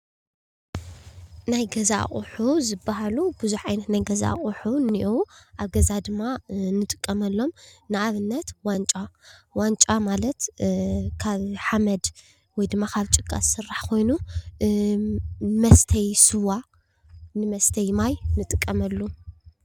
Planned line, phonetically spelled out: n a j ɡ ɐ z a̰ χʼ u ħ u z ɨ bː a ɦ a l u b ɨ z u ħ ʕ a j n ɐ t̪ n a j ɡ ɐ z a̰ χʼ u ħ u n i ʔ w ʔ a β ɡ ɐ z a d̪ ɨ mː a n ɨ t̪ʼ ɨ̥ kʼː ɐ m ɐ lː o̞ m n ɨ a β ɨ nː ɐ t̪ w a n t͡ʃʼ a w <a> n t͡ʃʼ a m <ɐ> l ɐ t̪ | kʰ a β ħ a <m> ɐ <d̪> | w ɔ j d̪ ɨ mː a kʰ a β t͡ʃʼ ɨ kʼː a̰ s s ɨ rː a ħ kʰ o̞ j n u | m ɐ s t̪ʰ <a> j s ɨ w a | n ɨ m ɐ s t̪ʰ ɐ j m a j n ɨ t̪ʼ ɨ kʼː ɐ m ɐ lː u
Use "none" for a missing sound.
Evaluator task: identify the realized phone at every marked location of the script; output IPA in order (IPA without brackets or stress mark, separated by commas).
a, a, m, d̪, ɐ